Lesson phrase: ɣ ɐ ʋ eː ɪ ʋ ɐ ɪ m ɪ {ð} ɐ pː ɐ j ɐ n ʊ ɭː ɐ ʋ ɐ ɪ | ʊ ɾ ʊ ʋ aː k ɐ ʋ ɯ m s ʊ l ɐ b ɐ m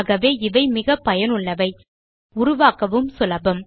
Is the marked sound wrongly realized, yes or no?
yes